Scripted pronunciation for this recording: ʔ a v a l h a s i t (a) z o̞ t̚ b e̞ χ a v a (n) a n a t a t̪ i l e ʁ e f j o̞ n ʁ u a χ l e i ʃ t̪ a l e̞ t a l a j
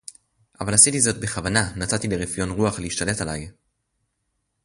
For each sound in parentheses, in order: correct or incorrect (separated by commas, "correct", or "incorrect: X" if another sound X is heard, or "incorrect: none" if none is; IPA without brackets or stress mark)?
incorrect: i, correct